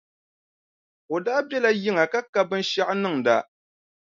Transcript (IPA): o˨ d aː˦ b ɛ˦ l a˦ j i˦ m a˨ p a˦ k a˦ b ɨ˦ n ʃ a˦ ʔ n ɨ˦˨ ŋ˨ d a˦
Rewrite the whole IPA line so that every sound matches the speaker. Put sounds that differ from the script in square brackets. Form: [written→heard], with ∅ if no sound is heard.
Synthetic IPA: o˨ d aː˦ b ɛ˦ l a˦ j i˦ [m→ŋ] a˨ [p→k] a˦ k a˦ b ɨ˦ n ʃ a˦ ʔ n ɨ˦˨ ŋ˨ d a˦